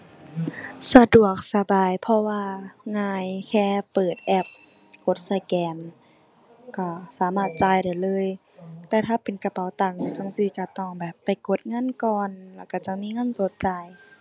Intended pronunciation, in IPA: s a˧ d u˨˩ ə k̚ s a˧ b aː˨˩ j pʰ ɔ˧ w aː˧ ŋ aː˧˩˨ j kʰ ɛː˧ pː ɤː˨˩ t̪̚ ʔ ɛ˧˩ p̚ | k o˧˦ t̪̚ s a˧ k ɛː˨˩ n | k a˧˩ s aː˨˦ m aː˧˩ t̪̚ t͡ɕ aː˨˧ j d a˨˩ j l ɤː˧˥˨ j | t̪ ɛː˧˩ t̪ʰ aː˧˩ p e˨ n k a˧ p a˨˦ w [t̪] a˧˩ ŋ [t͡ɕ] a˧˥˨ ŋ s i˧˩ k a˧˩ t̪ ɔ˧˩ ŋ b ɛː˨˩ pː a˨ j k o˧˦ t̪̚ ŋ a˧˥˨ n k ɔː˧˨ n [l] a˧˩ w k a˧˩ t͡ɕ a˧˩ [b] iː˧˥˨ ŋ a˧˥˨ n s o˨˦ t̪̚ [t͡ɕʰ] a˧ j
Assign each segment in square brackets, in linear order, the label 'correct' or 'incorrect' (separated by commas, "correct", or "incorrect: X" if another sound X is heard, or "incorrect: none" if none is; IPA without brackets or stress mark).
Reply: correct, correct, correct, incorrect: m, incorrect: t͡ɕ